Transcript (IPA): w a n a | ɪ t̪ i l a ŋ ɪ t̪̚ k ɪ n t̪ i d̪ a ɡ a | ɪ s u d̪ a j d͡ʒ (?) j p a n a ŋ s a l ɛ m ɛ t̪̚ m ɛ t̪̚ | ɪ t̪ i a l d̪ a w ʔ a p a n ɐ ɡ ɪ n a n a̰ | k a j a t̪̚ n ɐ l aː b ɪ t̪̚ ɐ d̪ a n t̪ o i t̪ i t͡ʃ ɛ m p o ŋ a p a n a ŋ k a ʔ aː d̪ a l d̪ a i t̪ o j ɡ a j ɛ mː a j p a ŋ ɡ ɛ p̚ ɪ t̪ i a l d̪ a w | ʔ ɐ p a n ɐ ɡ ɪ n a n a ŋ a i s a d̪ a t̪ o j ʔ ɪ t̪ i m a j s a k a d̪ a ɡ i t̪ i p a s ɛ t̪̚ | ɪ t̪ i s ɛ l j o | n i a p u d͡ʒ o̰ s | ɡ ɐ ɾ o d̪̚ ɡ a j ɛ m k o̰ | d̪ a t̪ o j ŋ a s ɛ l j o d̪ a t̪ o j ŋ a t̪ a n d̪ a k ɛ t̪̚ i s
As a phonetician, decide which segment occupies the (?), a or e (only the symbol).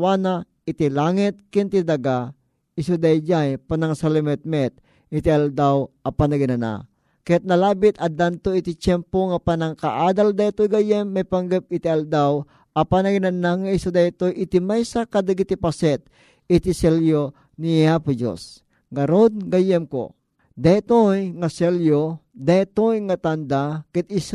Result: a